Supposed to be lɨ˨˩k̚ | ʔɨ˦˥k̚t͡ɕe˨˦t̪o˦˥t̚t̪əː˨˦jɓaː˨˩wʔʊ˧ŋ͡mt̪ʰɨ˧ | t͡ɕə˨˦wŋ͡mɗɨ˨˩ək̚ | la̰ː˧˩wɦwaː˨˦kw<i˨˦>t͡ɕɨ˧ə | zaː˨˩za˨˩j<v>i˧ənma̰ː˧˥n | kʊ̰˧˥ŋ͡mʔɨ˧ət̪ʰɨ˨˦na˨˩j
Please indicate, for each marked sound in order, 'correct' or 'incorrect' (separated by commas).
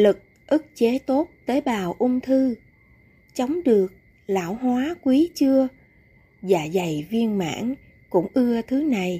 correct, correct